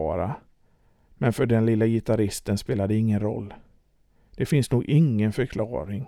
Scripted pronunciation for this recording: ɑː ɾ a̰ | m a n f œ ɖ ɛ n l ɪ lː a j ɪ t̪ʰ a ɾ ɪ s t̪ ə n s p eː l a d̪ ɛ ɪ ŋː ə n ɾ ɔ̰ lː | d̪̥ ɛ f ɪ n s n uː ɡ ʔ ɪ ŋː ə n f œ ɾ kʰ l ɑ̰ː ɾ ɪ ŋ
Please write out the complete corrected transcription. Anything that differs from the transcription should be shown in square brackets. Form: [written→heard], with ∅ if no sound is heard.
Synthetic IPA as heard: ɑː ɾ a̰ | m [a→ɛ] n f œ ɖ ɛ n l ɪ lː a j ɪ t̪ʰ a ɾ ɪ s t̪ ə n s p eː l a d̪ ɛ ɪ ŋː ə n ɾ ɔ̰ lː | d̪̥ ɛ f ɪ n s n uː ɡ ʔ ɪ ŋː ə n f œ ɾ kʰ l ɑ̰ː ɾ ɪ ŋ